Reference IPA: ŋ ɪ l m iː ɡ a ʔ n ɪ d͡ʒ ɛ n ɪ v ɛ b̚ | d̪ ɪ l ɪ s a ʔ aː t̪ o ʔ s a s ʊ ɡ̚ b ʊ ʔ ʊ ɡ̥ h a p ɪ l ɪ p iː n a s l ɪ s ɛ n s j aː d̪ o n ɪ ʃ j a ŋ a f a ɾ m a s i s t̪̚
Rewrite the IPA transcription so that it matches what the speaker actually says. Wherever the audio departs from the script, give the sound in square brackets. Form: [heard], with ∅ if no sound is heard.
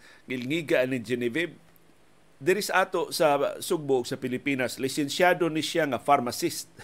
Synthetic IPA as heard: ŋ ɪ l [ŋ] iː ɡ a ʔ n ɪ d͡ʒ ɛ n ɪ v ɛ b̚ | d̪ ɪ [ɾ] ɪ s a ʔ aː t̪ o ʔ s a s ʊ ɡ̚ b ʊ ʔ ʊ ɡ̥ [s] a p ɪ l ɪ p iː n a s l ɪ s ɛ n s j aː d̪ o n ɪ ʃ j a ŋ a f a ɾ m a s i s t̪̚